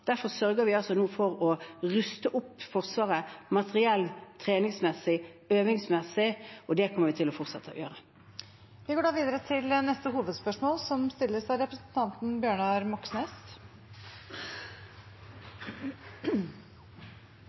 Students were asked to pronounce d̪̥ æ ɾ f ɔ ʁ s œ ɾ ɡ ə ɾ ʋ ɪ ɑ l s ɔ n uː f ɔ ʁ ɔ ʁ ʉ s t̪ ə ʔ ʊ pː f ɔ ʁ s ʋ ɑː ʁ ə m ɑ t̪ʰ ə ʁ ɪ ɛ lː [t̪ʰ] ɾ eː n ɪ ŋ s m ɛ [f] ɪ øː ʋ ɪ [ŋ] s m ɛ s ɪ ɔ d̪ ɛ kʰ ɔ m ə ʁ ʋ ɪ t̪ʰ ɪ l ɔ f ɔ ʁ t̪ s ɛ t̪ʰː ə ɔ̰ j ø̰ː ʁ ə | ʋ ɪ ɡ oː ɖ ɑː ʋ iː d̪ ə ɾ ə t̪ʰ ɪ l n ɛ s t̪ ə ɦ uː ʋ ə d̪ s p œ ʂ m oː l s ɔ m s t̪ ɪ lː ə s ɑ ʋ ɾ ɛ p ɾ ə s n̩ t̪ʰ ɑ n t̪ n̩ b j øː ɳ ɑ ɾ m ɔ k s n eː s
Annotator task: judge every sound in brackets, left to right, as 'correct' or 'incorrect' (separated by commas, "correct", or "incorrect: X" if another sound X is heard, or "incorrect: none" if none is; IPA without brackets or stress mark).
correct, incorrect: s, correct